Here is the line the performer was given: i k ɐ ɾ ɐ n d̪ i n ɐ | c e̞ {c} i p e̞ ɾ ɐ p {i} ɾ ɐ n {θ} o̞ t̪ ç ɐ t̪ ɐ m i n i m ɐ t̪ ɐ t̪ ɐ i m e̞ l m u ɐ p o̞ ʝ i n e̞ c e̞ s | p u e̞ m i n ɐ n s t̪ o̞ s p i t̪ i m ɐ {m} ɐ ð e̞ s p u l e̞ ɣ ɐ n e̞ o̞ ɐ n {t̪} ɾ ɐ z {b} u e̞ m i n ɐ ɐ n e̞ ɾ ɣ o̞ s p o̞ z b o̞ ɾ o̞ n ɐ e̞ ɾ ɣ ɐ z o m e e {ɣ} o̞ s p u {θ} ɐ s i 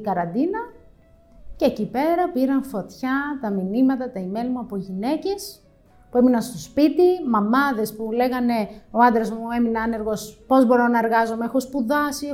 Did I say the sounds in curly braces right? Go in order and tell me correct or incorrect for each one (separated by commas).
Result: correct, correct, incorrect, correct, incorrect, incorrect, incorrect, incorrect